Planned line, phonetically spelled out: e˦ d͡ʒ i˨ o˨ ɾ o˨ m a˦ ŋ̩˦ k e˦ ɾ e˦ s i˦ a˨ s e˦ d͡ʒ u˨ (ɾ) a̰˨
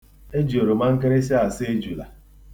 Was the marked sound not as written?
yes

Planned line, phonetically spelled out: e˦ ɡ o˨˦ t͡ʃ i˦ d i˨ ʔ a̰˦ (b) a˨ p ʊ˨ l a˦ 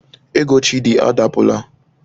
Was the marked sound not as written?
yes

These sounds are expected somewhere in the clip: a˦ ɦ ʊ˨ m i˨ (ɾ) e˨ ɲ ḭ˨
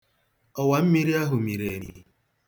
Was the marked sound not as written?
no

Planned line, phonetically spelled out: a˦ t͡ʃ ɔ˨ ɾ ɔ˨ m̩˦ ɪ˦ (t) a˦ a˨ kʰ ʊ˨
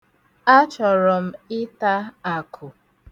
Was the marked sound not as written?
no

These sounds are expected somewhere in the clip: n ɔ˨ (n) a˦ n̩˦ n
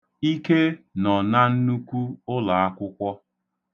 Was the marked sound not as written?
no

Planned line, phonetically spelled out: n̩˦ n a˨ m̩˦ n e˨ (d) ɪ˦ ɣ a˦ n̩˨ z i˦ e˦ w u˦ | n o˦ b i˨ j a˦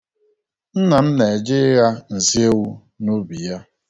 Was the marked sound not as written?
yes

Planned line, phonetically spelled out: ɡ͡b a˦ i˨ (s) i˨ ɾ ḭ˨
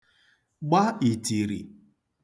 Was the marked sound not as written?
yes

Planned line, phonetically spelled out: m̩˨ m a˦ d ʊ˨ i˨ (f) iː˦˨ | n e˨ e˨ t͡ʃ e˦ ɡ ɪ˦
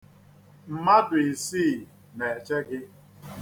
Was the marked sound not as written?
yes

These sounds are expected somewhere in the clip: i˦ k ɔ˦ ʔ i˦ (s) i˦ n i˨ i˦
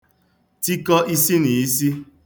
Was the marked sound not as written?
no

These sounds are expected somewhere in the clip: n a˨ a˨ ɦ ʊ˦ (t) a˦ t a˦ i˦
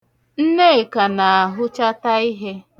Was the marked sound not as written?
yes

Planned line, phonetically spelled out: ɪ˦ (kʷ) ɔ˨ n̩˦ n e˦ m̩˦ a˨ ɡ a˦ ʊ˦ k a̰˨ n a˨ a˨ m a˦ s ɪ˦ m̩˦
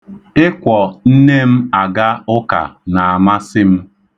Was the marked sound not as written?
no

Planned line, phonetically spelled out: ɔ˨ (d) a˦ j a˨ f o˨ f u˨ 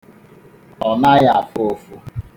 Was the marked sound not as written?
yes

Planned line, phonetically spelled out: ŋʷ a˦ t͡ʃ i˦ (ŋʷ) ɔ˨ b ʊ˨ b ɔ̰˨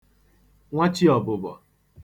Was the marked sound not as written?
yes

